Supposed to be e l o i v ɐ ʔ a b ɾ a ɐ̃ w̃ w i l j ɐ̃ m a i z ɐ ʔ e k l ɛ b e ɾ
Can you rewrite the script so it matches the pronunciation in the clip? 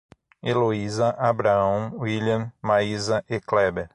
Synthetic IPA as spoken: e l o i z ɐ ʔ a b ɾ a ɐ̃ w̃ w i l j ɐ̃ m a i z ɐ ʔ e k l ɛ b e ɾ